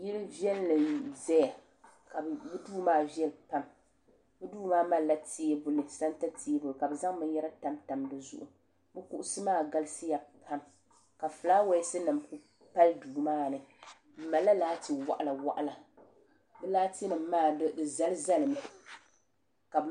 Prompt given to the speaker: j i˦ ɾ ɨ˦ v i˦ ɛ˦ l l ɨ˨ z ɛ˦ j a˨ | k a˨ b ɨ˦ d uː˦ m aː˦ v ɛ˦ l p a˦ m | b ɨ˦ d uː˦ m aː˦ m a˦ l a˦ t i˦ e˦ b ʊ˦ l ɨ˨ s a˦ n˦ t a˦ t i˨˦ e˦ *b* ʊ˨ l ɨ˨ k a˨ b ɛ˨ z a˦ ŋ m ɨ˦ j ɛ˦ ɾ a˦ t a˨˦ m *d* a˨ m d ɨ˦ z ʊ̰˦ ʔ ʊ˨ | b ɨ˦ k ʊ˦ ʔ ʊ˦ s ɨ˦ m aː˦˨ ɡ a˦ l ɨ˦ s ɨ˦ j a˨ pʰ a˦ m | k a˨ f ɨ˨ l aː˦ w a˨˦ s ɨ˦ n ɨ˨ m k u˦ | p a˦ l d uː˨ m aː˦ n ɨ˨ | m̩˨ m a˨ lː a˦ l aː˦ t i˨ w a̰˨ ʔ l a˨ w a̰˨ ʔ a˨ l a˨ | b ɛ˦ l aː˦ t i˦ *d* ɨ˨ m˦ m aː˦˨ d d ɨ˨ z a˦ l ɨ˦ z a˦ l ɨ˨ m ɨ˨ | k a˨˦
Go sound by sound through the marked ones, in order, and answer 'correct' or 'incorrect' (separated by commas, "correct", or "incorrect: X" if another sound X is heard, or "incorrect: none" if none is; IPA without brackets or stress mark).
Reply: correct, incorrect: t, incorrect: n